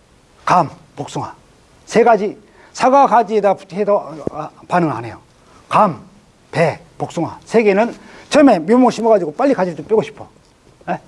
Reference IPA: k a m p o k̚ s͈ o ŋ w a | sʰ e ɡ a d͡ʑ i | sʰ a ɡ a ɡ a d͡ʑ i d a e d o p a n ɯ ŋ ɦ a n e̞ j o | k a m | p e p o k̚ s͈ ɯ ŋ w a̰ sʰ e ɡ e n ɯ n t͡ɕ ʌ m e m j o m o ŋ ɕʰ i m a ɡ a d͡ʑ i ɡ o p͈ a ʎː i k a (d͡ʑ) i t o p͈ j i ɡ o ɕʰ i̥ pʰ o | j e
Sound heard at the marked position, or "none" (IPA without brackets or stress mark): d͡ʑ